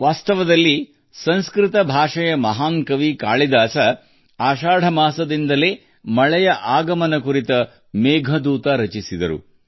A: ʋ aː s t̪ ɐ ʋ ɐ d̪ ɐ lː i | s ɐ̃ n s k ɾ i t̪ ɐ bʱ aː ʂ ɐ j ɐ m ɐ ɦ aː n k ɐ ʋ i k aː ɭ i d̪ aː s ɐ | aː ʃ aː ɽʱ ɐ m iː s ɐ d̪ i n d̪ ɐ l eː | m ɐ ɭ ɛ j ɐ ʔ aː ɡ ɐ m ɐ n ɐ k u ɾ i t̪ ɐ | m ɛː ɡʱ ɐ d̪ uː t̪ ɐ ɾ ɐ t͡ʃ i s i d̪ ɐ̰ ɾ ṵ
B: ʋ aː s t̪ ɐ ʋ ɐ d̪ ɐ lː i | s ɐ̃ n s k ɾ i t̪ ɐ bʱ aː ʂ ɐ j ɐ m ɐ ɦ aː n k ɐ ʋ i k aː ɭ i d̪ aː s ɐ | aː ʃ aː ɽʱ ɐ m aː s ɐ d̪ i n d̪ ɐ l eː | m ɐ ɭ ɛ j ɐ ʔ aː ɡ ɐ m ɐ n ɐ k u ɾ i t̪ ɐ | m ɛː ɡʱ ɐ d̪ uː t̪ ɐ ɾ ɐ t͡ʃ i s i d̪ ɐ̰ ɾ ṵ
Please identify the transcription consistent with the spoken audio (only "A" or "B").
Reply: B